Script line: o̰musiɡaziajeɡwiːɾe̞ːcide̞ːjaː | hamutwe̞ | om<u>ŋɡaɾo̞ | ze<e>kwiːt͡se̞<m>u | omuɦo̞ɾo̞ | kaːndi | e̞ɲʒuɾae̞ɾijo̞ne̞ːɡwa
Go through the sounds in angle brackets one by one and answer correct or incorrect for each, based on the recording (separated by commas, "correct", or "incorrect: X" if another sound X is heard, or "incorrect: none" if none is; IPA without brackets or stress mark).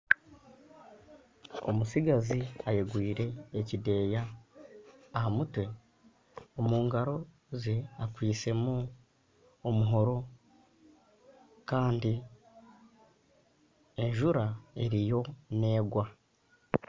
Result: incorrect: uː, incorrect: a, correct